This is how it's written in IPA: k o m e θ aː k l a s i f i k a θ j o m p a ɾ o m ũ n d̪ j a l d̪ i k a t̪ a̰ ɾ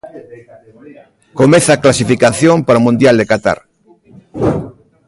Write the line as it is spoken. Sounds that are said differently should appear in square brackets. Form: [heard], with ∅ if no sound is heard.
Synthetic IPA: k o m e θ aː k l a s i f i k a θ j o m p a ɾ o m ũ n d̪ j a l d̪ [e] k a t̪ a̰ ɾ